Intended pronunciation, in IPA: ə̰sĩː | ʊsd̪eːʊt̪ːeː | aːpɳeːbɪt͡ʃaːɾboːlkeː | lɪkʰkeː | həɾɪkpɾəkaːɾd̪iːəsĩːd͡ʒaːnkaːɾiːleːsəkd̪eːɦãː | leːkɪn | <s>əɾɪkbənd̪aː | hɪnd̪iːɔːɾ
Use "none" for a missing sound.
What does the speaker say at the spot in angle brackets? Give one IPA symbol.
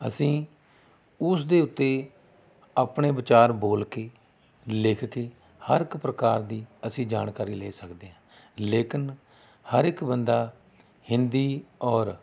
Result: h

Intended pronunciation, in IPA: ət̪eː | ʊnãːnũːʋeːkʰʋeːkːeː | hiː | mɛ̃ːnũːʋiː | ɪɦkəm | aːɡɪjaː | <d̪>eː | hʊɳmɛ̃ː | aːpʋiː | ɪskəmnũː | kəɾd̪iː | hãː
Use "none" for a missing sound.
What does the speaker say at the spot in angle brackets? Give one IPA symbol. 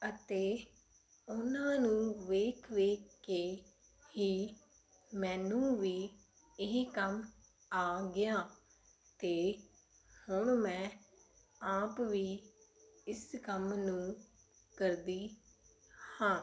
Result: t̪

